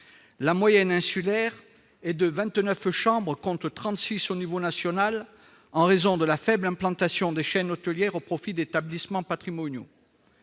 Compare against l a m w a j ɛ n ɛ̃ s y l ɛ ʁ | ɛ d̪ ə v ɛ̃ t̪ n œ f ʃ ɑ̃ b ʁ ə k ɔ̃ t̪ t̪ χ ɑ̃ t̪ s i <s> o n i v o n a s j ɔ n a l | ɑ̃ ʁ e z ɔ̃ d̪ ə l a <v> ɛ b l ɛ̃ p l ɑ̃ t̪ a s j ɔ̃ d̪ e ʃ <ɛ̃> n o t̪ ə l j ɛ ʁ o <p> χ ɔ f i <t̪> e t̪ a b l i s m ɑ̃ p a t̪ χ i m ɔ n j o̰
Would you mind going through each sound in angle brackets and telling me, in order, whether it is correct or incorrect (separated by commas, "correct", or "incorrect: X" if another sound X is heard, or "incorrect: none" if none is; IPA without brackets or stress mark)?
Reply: correct, incorrect: f, incorrect: ɛ, correct, incorrect: d̪